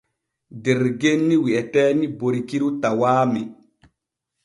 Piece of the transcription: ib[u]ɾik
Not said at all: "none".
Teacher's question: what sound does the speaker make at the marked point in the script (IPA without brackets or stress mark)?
o